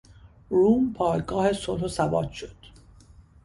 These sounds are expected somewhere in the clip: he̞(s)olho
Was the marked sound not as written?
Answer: no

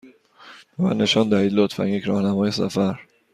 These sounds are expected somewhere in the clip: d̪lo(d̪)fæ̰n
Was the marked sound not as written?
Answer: yes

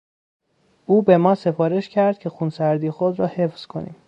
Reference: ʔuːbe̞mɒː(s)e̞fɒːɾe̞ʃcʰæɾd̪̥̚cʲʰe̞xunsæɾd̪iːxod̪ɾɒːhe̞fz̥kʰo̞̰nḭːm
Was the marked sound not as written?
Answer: no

